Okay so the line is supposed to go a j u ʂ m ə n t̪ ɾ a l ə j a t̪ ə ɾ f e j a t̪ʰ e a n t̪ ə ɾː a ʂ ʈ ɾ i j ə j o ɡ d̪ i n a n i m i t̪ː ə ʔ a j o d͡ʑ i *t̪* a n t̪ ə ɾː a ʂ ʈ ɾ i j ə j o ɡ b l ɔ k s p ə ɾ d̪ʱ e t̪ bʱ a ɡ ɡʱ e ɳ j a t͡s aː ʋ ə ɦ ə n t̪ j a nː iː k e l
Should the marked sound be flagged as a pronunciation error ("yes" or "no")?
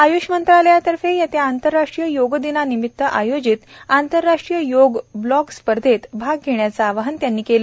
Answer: no